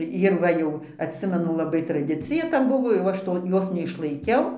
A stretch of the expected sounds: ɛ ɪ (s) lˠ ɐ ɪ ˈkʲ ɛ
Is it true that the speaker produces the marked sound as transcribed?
no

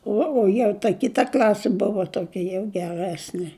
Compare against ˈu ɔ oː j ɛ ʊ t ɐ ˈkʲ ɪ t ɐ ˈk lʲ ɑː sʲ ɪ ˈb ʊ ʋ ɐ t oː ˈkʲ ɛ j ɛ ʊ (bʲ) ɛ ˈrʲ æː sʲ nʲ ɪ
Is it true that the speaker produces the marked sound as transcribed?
no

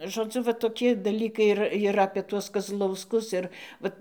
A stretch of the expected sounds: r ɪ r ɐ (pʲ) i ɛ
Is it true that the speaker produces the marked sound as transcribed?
yes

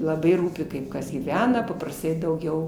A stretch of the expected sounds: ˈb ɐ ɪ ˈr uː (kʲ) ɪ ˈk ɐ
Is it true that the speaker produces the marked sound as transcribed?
no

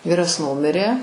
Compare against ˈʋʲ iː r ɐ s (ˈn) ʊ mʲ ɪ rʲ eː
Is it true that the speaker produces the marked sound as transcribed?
yes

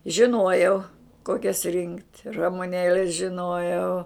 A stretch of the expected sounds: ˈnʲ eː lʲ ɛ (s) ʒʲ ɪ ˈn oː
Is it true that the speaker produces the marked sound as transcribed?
yes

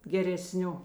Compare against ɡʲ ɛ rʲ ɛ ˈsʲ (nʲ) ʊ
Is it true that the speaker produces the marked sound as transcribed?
yes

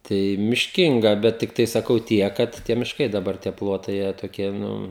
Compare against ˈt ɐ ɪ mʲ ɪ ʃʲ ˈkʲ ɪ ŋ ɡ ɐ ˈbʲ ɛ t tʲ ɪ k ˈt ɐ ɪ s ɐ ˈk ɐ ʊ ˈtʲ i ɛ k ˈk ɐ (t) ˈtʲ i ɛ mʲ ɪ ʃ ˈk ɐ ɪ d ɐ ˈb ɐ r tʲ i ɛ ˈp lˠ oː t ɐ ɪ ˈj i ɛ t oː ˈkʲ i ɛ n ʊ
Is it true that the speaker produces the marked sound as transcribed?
yes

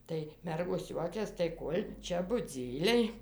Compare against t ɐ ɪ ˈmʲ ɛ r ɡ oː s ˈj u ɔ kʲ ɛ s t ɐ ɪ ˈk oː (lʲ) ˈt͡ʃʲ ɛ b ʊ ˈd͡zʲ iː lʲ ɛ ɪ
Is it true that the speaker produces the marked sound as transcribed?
yes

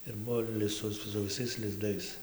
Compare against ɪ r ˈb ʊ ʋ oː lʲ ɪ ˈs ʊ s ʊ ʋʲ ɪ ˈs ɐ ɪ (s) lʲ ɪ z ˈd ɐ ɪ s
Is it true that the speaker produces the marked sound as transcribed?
yes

